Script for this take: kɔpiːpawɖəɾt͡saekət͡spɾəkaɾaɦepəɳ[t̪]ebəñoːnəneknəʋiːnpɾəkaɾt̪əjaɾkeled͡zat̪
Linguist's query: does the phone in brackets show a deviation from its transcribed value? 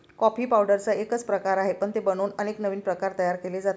no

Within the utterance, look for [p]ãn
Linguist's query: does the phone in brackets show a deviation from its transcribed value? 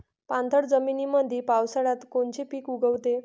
no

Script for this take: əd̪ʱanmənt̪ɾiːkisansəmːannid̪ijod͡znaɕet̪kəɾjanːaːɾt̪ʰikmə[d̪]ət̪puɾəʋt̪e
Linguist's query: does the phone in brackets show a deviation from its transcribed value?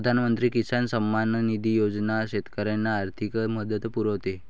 no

